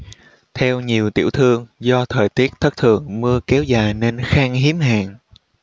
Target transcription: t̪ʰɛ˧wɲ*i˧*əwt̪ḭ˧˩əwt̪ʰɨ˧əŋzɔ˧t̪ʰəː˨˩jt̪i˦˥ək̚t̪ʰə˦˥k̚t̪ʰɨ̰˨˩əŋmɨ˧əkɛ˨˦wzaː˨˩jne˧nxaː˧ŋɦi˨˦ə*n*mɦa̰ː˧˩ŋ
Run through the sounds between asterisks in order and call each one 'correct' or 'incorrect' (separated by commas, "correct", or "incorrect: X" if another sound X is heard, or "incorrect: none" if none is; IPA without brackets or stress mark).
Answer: incorrect: i˨˩, incorrect: none